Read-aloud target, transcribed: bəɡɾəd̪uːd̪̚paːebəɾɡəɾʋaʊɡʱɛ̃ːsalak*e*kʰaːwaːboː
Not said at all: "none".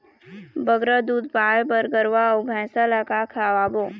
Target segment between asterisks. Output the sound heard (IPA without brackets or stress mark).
a